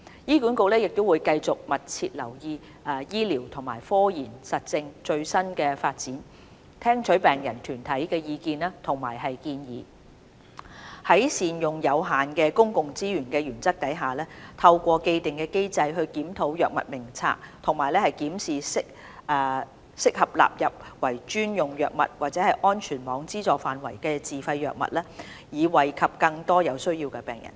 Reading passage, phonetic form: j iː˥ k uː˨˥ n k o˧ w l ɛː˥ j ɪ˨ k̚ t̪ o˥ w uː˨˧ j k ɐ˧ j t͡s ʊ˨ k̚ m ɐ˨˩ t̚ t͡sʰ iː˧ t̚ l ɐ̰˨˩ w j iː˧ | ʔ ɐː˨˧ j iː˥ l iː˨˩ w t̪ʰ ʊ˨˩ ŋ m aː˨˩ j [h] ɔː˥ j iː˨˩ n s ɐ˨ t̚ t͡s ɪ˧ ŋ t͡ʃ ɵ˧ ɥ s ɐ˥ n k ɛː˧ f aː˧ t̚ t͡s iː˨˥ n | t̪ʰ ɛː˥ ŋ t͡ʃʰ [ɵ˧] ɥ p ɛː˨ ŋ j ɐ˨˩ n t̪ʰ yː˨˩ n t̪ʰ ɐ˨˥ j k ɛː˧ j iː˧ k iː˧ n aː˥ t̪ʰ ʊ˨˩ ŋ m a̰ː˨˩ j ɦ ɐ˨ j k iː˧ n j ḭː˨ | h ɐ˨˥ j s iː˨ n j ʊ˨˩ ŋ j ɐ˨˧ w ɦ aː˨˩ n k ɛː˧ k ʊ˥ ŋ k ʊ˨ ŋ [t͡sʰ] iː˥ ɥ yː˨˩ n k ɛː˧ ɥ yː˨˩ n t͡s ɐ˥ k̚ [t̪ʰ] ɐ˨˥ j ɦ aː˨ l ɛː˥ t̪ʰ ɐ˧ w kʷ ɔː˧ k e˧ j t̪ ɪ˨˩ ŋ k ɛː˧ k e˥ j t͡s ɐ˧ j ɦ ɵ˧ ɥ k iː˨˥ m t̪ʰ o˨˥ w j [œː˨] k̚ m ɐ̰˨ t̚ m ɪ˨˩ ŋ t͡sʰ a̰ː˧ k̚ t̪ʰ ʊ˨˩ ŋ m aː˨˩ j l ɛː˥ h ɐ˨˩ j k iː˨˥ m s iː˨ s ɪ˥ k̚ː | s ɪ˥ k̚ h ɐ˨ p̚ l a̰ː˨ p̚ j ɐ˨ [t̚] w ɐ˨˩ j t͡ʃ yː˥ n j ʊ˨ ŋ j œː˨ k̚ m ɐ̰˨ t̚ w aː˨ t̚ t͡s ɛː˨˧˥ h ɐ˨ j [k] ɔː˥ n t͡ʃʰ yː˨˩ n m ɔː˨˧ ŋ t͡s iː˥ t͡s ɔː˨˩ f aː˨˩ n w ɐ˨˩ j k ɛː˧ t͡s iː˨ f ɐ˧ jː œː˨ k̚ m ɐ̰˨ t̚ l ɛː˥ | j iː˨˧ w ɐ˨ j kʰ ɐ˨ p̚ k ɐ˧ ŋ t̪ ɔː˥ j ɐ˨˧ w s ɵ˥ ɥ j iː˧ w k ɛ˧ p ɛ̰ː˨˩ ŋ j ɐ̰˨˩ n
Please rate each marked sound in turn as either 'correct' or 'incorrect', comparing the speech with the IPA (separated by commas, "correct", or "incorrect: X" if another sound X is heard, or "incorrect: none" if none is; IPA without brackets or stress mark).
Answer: incorrect: f, incorrect: ɵ˨˥, incorrect: t͡s, incorrect: t̪, correct, incorrect: p̚, incorrect: ʔ